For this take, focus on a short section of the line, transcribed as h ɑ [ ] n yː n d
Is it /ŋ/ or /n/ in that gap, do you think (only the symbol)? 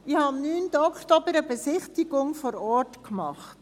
n